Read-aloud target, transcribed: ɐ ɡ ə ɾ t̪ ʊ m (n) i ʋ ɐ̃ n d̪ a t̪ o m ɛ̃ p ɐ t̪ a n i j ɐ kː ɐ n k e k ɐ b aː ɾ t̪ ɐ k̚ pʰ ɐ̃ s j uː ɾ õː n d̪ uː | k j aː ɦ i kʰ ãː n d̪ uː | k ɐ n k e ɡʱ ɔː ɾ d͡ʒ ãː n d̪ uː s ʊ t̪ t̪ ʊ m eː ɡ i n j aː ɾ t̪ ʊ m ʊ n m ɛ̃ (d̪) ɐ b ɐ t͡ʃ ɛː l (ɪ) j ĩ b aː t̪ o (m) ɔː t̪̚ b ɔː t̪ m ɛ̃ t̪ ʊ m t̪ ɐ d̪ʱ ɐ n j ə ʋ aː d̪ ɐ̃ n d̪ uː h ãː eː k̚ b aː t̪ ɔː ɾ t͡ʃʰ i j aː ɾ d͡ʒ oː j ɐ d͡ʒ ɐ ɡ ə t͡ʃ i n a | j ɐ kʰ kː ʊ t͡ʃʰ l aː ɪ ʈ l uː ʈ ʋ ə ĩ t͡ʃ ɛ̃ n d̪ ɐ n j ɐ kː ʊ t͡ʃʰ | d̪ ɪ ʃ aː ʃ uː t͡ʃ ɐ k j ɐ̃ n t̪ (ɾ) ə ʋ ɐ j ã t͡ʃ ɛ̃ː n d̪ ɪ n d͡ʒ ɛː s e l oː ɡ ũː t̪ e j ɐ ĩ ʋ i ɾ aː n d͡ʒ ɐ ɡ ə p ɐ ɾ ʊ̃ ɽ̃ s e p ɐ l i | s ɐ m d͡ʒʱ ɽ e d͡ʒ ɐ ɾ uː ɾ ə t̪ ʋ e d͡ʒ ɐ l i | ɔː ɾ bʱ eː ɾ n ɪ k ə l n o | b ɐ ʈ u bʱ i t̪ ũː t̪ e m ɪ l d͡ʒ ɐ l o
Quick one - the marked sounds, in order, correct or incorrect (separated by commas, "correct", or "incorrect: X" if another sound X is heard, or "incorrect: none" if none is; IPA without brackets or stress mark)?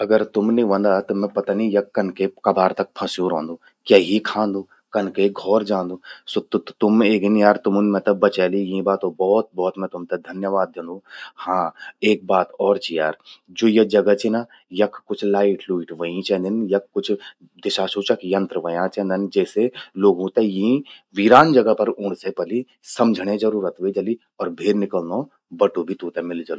correct, incorrect: t̪, incorrect: i, incorrect: b, correct